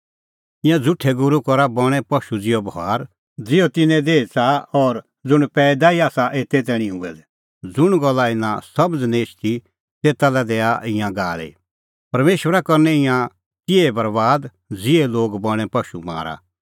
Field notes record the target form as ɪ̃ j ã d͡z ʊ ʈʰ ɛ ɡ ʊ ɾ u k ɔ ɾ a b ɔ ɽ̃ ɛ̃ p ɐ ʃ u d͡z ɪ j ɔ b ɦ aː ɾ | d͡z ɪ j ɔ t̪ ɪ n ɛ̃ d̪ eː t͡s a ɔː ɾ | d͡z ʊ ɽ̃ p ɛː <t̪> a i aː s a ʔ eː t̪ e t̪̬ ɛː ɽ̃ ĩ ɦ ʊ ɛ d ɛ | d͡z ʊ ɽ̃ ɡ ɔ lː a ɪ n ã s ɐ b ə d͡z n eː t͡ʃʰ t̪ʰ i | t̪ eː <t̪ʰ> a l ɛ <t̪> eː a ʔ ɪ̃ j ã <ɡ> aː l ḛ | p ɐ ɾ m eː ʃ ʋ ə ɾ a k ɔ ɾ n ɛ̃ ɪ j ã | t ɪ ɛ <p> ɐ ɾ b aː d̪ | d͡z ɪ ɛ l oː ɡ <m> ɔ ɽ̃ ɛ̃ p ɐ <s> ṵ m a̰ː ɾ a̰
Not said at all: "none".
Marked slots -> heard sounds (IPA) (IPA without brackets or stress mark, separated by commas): d̪, t̪, d̪, ɡ, b, b, ʃ